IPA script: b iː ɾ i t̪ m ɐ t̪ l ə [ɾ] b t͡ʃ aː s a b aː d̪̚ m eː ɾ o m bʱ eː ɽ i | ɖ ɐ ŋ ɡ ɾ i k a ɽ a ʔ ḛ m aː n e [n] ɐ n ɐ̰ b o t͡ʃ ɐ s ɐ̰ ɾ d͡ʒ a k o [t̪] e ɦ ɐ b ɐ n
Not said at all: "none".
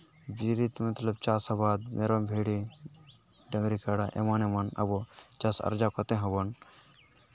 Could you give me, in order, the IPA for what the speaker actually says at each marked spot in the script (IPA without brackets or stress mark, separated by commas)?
none, m, t̪